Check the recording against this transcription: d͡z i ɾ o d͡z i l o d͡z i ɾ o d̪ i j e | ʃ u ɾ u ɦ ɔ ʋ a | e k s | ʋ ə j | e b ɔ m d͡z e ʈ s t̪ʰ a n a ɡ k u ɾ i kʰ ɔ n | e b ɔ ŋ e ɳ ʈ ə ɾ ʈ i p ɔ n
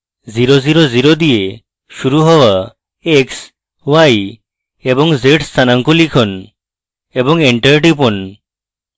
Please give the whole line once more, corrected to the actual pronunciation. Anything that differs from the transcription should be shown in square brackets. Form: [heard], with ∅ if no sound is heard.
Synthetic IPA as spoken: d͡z i ɾ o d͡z i [ɾ] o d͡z i ɾ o d̪ i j e | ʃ u ɾ u ɦ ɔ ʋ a | e k s | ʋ [a] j | e b ɔ [ŋ] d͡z e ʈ s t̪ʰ a n a [ŋ] k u [l] i kʰ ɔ n | e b ɔ ŋ e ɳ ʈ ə ɾ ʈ i p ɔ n

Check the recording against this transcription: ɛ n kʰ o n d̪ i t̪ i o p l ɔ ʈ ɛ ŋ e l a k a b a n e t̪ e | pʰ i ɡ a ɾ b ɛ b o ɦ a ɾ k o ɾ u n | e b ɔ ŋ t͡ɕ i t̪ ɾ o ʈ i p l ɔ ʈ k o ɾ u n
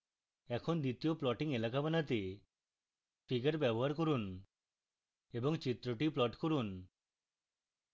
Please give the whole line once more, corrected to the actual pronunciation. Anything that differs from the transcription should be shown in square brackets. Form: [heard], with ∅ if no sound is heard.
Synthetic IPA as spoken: ɛ [∅] kʰ o n d̪ i t̪ i o p l ɔ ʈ [i] ŋ e l a k a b a n [a] t̪ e | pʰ i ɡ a ɾ b ɛ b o ɦ a ɾ k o ɾ u n | e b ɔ ŋ t͡ɕ i t̪ ɾ o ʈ i p l ɔ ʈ k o ɾ u n

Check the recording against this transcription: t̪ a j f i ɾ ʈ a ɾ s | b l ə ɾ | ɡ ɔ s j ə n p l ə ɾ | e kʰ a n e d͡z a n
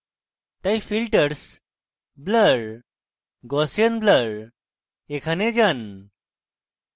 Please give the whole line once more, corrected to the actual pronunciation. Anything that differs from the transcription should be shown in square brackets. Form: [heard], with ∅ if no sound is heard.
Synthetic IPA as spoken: t̪ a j f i [l] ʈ [ə] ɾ s | b l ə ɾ | ɡ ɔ s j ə n [b] l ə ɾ | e kʰ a n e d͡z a n

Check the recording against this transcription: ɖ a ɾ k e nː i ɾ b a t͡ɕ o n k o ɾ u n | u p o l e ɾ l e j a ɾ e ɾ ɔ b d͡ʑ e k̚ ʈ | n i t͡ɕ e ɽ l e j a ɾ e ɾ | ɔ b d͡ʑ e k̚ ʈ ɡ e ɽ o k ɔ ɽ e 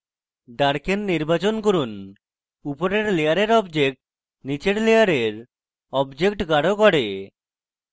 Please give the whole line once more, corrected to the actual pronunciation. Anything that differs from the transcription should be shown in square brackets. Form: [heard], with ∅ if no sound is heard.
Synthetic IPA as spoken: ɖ a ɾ k e nː i ɾ b a t͡ɕ o n k o ɾ u n | u p o [ɾ] e ɾ l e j a ɾ e ɾ ɔ b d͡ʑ e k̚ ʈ | n i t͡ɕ e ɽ l e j a ɾ e ɾ | ɔ b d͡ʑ e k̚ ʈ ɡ [a] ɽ o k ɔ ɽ e

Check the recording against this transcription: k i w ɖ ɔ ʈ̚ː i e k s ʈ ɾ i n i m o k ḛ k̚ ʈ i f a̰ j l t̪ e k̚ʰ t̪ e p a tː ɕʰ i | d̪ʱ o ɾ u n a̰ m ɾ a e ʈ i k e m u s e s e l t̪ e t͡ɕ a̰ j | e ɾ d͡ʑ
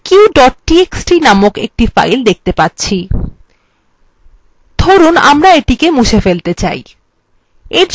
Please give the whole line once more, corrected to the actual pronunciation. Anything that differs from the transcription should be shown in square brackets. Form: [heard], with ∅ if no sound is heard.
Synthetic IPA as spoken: k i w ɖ ɔ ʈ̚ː i e k s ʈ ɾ i n [a] m o k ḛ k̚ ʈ i f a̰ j l [d̪] e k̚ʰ t̪ e p a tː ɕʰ i | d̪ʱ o ɾ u n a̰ m ɾ a e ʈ i k e m u [ʃ] e [f] e l t̪ e t͡ɕ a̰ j | e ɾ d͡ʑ

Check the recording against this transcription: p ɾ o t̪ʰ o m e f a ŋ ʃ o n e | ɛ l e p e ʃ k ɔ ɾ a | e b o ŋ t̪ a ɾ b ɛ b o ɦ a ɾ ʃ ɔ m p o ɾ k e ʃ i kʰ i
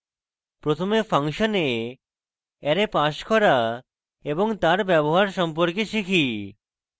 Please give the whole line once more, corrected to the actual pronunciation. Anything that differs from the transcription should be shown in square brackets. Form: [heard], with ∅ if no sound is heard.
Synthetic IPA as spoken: p ɾ o t̪ʰ o m e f a ŋ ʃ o n e | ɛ [ɾ] e p [a] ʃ k ɔ ɾ a | e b o ŋ t̪ a ɾ b ɛ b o ɦ a ɾ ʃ ɔ m p o ɾ k e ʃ i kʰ i

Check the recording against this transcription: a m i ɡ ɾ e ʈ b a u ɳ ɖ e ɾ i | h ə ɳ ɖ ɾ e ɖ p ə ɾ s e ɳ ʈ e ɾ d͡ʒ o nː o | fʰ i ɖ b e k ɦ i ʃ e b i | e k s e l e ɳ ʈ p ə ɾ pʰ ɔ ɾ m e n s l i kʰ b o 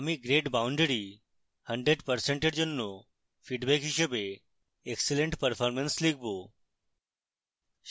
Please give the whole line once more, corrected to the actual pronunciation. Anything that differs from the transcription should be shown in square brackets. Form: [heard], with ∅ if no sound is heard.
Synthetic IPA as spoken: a m i ɡ ɾ e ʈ b a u ɳ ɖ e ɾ i | h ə ɳ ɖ ɾ e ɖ p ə ɾ s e ɳ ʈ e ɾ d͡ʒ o nː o | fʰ i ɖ b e k ɦ i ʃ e b [e] | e k s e l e ɳ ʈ p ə ɾ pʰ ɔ ɾ m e n s l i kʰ b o

